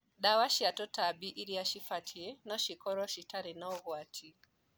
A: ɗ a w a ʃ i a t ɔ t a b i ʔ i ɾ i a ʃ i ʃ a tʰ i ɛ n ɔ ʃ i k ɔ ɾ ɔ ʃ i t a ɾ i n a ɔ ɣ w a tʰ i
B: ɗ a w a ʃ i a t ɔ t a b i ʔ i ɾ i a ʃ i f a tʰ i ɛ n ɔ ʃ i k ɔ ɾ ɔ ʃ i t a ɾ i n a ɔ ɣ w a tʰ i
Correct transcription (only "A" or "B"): B